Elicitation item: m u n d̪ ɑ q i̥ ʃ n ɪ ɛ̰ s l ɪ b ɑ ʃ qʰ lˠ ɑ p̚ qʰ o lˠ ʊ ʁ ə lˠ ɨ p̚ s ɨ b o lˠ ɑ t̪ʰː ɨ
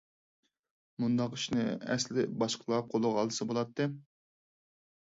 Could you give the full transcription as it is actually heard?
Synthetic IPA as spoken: m u n d̪ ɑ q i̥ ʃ n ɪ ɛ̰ s l ɪ b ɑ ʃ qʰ lˠ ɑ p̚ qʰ o lˠ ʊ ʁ ɑ lˠ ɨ s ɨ b o lˠ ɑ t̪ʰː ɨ